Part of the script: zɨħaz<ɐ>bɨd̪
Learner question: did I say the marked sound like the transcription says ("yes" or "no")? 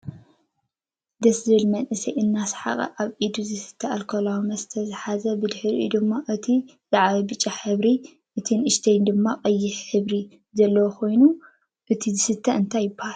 yes